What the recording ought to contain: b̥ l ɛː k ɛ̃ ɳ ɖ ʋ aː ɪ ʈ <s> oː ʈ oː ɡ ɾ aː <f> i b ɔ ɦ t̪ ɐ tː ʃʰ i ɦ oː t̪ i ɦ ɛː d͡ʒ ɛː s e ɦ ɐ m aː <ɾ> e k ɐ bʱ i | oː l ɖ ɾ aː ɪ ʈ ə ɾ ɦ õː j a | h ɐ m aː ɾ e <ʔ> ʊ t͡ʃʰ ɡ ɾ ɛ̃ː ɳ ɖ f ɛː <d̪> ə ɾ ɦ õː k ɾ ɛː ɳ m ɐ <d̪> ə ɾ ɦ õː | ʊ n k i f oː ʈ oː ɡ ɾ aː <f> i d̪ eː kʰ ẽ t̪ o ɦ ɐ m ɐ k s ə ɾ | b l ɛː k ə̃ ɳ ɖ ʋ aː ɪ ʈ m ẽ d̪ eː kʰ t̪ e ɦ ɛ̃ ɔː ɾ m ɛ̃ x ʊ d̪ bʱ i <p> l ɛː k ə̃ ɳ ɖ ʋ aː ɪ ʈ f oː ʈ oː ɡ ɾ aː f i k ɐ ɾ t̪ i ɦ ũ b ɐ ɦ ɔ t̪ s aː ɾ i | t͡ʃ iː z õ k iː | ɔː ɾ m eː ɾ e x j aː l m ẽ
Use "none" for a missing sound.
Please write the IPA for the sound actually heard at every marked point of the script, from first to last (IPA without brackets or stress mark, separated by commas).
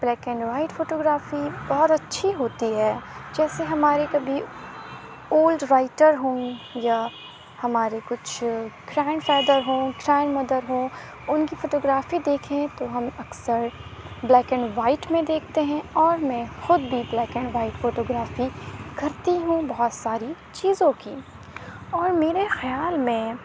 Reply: f, f, ɾ, k, d̪, d̪, f, b